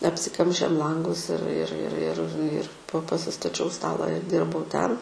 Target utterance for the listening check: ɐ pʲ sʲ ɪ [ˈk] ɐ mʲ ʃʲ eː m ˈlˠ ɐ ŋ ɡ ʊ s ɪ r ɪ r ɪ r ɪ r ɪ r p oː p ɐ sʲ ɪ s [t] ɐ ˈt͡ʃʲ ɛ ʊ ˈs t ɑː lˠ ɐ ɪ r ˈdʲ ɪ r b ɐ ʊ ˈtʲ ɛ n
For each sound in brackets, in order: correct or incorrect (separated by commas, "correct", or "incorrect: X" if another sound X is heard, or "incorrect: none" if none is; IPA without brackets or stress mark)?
correct, correct